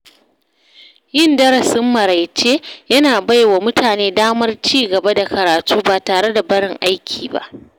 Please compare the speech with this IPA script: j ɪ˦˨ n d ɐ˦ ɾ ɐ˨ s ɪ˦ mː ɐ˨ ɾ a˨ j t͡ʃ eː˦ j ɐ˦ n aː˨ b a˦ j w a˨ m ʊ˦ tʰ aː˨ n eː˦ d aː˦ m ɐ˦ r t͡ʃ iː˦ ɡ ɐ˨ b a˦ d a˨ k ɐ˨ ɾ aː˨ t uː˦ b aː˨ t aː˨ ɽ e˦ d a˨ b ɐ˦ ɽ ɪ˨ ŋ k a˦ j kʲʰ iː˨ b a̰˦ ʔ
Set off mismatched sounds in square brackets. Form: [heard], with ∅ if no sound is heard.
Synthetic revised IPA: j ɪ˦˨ n d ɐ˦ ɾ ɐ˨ s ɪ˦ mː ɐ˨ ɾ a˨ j t͡ʃ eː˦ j ɐ˦ n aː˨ b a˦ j w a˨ m ʊ˦ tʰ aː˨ n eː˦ d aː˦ m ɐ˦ r t͡ʃ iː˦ ɡ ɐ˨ b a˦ d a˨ k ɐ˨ ɾ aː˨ t uː˦ b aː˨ t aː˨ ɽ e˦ d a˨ b ɐ˦ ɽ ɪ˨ ŋ [ʔ] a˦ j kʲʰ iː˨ b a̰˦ ʔ